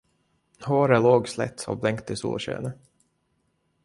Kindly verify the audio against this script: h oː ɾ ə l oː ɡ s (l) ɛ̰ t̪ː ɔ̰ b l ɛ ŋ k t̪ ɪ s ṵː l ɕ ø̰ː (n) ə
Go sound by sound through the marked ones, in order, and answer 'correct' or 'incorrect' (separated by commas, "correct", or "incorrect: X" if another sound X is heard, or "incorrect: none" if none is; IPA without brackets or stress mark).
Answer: correct, correct